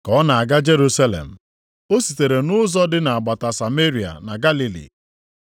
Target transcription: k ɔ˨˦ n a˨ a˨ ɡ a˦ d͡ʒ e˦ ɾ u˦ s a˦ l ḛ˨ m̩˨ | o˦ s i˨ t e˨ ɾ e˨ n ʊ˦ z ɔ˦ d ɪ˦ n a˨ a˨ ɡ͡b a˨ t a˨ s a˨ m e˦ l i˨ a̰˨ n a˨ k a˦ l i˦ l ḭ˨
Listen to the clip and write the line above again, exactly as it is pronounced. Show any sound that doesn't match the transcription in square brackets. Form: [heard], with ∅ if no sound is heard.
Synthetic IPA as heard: k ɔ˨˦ n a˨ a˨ ɡ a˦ d͡ʒ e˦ ɾ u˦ s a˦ l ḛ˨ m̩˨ | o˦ s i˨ t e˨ ɾ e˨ n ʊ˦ z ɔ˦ d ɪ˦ n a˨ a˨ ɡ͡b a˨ t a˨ s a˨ m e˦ [ɾ] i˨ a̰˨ n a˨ [ɡ] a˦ l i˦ l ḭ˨